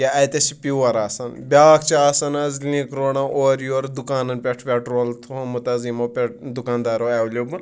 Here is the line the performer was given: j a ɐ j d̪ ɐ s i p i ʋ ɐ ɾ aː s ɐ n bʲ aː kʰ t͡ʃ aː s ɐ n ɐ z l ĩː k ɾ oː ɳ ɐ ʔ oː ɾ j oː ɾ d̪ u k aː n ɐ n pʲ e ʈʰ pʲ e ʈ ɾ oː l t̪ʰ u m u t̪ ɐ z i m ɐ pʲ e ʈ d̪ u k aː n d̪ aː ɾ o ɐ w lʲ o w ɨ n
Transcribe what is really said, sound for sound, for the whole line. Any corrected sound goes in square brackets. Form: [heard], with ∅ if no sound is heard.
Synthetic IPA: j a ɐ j [t̪] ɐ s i p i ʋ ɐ ɾ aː s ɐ n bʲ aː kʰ t͡ʃ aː s ɐ n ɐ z l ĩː k ɾ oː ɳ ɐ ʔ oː ɾ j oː ɾ d̪ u k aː n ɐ n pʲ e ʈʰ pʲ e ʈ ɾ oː l t̪ʰ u m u t̪ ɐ z i m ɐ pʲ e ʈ d̪ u k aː n d̪ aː ɾ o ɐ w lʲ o [b] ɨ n

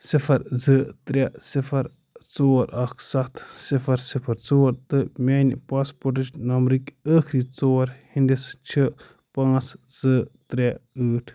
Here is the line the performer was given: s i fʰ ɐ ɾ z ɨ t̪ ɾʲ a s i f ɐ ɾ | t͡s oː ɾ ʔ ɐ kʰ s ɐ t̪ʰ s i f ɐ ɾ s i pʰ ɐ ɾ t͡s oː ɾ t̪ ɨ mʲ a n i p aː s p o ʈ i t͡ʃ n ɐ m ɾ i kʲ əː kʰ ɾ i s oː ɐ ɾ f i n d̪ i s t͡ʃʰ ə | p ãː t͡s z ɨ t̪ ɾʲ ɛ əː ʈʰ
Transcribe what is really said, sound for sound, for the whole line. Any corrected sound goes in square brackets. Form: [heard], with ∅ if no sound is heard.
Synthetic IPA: s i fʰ ɐ ɾ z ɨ t̪ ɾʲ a s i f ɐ ɾ | t͡s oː ɾ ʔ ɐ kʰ s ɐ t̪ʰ s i f ɐ ɾ s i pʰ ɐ ɾ t͡s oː ɾ t̪ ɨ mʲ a n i p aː s p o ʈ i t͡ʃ n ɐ m ɾ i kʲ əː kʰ ɾ i [t͡s] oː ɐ ɾ [h] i n d̪ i s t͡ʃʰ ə | p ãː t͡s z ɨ t̪ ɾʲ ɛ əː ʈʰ

